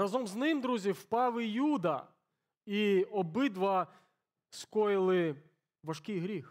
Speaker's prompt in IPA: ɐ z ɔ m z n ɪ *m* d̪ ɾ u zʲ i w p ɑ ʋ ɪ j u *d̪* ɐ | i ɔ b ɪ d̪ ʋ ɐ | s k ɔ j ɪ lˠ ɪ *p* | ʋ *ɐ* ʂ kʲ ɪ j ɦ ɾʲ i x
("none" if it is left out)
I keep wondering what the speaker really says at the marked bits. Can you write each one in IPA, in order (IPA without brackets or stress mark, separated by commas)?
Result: m, d̪, none, ɐ